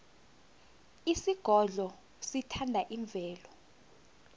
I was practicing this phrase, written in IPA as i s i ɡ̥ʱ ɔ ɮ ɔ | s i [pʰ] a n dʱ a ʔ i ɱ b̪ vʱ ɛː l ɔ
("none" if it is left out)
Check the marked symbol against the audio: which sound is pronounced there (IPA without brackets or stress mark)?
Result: tʰ